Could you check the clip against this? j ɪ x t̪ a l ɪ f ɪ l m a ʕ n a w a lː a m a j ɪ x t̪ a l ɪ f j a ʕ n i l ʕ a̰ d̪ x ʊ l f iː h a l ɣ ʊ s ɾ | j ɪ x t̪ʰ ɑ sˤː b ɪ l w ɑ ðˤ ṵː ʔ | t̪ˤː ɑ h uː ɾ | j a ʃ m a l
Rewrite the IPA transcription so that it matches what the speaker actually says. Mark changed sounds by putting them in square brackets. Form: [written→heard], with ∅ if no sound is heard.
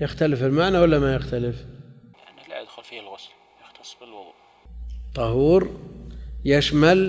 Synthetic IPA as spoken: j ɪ x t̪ a l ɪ f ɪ l m a ʕ n a w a lː a m a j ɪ x t̪ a l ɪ f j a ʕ n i l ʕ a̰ d̪ x ʊ l f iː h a l ɣ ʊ s [ɾ→l] | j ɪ x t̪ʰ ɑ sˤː b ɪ l w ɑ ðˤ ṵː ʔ | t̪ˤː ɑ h uː ɾ | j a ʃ m a l